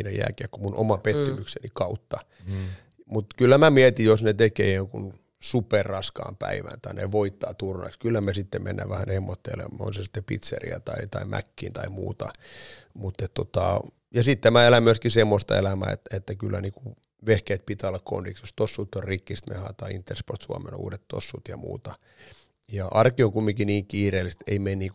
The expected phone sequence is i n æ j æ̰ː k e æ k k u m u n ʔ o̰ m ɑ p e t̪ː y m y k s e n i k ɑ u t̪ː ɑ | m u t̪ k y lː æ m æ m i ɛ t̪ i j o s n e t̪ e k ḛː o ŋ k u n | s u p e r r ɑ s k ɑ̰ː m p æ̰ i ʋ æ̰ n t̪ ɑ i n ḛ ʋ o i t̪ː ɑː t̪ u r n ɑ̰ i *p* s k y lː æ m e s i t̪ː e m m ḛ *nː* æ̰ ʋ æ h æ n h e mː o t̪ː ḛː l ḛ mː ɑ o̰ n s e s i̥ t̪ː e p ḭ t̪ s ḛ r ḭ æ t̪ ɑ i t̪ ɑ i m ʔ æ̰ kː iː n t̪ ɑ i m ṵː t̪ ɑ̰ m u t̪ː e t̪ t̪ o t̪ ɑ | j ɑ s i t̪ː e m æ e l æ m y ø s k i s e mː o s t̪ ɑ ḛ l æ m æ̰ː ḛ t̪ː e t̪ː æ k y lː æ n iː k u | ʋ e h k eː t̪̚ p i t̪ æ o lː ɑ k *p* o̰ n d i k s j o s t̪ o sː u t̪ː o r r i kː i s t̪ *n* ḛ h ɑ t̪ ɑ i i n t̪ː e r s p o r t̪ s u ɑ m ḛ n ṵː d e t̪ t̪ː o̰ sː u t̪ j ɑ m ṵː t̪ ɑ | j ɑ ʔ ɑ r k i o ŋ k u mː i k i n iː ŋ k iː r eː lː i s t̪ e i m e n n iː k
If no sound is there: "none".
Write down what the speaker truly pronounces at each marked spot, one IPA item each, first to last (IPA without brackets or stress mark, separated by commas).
k, nː, k, m